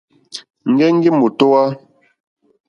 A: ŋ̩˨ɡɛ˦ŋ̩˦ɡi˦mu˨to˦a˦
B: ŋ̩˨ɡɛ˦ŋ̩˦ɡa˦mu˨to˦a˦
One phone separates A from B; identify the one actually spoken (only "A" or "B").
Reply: A